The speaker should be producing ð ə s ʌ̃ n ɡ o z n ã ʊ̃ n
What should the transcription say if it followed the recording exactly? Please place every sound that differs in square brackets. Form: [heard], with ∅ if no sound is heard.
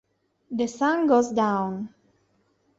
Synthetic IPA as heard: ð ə s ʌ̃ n ɡ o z [d] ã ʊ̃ n

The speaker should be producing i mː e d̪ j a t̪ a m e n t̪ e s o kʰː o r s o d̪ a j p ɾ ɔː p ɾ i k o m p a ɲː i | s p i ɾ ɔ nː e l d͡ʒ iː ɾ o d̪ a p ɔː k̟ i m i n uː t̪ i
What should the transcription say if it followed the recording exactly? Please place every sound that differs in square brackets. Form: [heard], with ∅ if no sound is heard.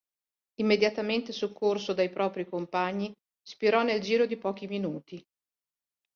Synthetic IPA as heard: i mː e d̪ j a t̪ a m e n t̪ e s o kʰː o r s o d̪ a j p ɾ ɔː p ɾ i k o m p a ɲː i | s p i ɾ ɔ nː e l d͡ʒ iː ɾ o d̪ [i] p ɔː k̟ i m i n uː t̪ i

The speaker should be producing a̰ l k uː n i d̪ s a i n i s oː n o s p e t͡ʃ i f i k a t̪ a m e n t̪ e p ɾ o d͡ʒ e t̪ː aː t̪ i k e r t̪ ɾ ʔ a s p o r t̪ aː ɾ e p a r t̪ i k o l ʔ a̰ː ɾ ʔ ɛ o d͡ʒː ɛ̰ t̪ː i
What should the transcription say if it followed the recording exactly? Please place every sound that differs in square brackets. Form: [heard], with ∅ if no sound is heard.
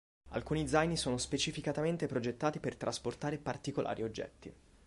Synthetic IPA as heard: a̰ l k uː n i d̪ [z] a [j] n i s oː n o s p e t͡ʃ i f i k a t̪ a m e n t̪ e p ɾ o d͡ʒ e t̪ː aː t̪ i [p] e r t̪ ɾ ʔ a s p o r t̪ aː ɾ e p a r t̪ i k o l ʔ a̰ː ɾ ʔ [i] o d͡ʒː ɛ̰ t̪ː i

